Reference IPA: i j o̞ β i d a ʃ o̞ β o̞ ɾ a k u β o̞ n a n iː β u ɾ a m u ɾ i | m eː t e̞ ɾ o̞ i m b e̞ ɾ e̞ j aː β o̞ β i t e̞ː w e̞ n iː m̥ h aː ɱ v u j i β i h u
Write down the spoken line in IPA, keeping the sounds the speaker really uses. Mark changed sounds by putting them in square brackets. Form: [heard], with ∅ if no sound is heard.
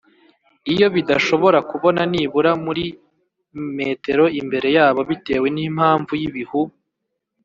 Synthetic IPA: i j o̞ β i d a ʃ o̞ β o̞ ɾ a k u β o̞ n a n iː β u ɾ a m u ɾ i | m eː t e̞ ɾ o̞ i m b e̞ ɾ e̞ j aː β o̞ β i t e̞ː w e̞ n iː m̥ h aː ɱ v u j i β i h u